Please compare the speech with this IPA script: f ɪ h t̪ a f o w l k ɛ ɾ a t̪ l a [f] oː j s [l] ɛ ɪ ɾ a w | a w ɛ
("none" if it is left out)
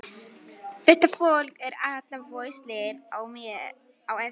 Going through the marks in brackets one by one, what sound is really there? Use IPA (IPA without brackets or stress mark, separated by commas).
v, l